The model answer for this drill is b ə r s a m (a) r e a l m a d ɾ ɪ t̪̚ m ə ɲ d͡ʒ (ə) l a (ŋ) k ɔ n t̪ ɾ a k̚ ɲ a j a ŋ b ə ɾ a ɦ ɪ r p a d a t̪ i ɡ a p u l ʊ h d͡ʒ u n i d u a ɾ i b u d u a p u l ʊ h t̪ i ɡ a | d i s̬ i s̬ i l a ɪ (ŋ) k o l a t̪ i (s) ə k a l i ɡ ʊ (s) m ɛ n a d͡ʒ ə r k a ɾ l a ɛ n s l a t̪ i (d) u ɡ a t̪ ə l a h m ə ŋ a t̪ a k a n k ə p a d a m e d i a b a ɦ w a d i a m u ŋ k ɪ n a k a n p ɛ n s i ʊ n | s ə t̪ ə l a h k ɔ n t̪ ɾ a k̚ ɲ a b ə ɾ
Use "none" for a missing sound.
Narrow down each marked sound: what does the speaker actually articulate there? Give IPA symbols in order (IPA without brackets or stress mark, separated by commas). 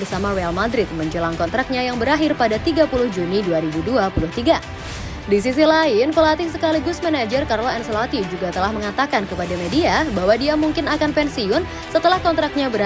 a, ə, ŋ, n, s, s, d͡ʒ